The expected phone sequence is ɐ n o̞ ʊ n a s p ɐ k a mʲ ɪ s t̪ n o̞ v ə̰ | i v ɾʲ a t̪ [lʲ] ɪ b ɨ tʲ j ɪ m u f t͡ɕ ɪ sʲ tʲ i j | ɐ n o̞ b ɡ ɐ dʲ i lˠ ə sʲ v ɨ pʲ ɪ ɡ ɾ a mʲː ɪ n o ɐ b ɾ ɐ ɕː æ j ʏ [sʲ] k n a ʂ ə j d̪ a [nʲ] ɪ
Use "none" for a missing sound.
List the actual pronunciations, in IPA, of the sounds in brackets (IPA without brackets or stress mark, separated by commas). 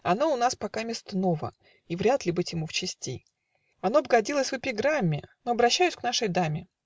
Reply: lʲ, sʲ, mʲ